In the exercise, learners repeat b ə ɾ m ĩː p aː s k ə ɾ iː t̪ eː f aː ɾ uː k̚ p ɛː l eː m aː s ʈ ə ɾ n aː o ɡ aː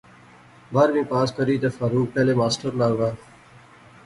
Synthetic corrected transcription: b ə ɾ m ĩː p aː s k ə ɾ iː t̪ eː f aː ɾ uː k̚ p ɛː l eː m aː s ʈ ə ɾ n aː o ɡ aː